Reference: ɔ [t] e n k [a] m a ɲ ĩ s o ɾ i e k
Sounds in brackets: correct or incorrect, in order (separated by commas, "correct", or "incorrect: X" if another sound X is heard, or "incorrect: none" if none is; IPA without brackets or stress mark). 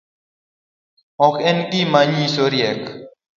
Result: incorrect: k, incorrect: i